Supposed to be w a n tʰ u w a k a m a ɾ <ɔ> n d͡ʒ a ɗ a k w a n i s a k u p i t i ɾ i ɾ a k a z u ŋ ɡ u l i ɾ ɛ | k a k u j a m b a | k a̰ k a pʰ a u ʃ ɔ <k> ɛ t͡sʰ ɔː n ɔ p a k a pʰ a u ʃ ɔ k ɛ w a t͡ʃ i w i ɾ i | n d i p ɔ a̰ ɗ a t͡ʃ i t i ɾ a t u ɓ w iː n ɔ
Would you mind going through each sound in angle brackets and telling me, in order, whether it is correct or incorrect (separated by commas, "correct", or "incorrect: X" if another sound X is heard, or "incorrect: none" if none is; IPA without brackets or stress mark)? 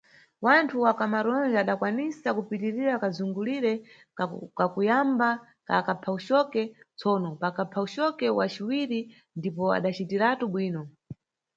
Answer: correct, correct